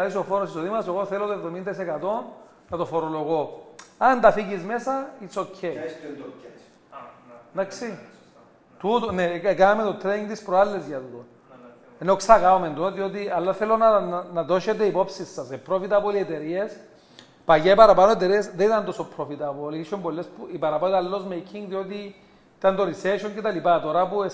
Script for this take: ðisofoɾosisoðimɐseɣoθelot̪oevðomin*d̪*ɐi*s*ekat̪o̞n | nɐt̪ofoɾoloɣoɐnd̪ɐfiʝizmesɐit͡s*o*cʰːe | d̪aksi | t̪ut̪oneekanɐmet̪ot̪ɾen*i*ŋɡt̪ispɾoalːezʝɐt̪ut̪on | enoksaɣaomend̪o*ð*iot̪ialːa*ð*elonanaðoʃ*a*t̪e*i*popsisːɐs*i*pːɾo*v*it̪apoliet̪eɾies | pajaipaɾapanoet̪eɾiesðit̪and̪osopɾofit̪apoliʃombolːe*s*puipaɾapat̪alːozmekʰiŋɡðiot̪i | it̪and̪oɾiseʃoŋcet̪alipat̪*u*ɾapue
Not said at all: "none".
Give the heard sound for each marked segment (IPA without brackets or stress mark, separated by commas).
d̪, s, o, i, ð, θ, e, i, e, f, s, o